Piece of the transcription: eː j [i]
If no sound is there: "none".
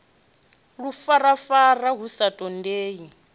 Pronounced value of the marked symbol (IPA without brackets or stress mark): i